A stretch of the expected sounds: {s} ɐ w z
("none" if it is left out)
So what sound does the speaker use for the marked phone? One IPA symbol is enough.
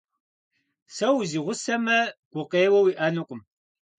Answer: s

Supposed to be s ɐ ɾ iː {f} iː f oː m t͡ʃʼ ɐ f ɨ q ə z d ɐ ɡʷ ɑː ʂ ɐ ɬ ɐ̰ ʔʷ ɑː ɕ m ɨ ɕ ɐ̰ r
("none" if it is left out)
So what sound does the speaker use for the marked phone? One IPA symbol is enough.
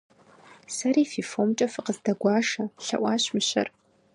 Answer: f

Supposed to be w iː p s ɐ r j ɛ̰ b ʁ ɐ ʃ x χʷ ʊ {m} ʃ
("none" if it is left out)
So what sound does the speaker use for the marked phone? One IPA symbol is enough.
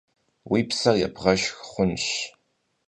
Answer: n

